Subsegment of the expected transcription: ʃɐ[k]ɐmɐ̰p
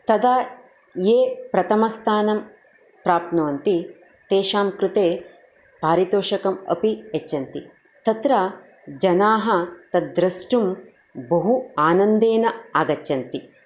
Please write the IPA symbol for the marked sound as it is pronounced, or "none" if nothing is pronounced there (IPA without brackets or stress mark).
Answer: k